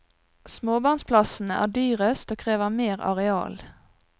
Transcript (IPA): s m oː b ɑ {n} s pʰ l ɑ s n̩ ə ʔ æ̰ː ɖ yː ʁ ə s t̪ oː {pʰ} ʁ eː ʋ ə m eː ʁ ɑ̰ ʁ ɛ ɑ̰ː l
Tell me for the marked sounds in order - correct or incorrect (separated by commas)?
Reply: correct, incorrect